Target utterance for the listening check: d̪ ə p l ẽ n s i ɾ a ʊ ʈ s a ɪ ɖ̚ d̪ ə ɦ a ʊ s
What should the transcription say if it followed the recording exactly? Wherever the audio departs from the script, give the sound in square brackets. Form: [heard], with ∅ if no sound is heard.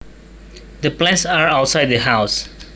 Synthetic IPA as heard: d̪ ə p l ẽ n s [a] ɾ a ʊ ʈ s a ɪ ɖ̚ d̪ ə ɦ a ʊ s